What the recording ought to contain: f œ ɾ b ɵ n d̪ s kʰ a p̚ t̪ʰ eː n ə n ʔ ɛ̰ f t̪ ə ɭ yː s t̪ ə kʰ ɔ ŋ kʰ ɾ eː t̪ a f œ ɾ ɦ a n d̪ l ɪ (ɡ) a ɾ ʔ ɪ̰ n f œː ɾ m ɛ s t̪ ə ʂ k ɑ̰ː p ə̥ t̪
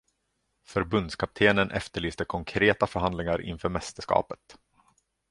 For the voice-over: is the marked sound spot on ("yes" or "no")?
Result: no